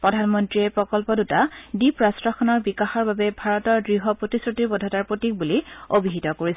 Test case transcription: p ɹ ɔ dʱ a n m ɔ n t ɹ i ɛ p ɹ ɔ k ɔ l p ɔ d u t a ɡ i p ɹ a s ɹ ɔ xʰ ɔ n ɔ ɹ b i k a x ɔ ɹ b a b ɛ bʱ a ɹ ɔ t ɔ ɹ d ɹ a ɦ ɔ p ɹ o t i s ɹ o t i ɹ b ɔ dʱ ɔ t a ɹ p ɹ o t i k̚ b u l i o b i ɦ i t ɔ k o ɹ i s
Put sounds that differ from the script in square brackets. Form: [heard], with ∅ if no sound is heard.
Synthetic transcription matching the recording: p ɹ ɔ dʱ a n m ɔ n t ɹ i ɛ p ɹ ɔ k ɔ l p ɔ d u t a [d] i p ɹ a s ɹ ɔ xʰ ɔ n ɔ ɹ b i k a x ɔ ɹ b a b ɛ bʱ a ɹ ɔ t ɔ ɹ d ɹ [i] ɦ ɔ p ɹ o t i s ɹ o t i ɹ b ɔ dʱ ɔ t a ɹ p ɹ o t i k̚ b u l i o b i ɦ i t ɔ k o ɹ i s